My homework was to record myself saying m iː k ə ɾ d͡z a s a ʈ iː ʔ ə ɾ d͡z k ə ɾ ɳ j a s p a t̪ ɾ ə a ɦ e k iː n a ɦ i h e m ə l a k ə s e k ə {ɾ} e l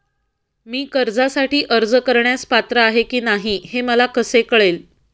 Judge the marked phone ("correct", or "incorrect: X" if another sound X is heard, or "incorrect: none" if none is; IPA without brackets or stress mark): incorrect: ɭ